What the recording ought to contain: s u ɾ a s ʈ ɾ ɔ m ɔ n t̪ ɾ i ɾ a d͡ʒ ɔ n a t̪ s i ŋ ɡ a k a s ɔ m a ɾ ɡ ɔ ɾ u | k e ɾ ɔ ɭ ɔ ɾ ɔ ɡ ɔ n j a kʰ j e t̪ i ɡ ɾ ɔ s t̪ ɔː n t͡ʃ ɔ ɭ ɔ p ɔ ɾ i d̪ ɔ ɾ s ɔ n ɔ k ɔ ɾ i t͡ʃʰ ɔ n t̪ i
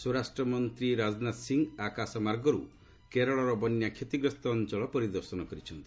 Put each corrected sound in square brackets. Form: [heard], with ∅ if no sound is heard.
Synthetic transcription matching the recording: s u ɾ a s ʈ ɾ ɔ m ɔ n t̪ ɾ i ɾ a d͡ʒ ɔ n a t̪ s i ŋ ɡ a k a s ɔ m a ɾ ɡ ɔ ɾ u | k e ɾ ɔ ɭ ɔ ɾ ɔ [b] ɔ n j a kʰ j e t̪ i ɡ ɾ ɔ s t̪ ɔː n t͡ʃ ɔ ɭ ɔ p ɔ ɾ i d̪ ɔ ɾ s ɔ n ɔ k ɔ ɾ i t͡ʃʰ ɔ n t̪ i